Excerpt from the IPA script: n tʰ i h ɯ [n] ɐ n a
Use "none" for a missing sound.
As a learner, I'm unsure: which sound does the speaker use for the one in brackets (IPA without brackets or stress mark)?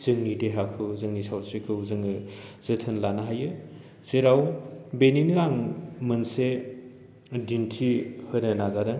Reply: n